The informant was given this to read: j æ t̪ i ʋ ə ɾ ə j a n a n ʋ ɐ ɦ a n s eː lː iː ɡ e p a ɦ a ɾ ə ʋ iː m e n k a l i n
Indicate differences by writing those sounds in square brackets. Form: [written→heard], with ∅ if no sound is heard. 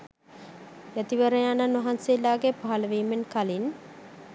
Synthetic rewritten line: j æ t̪ i ʋ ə ɾ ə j a n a n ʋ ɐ ɦ a n s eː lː [iː→aː] ɡ e p a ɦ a [ɾ→l] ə ʋ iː m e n k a l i n